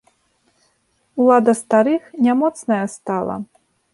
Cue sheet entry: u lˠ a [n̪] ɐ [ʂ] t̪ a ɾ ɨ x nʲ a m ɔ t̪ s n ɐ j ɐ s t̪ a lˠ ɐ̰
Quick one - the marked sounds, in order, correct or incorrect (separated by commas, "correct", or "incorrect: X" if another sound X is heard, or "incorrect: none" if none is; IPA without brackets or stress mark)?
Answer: incorrect: d̪, incorrect: s